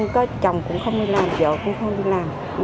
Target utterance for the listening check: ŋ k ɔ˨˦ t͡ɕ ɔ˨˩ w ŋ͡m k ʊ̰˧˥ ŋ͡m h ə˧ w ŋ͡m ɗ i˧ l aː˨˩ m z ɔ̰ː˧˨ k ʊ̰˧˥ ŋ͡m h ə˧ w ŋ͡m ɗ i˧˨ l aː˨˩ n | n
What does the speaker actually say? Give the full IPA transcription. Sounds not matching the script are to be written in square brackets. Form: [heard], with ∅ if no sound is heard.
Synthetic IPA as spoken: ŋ k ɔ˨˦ t͡ɕ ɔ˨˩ w ŋ͡m k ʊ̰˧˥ ŋ͡m [x] ə˧ w ŋ͡m ɗ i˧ l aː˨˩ m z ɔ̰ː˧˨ k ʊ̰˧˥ ŋ͡m [x] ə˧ w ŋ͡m ɗ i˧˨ l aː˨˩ [m] | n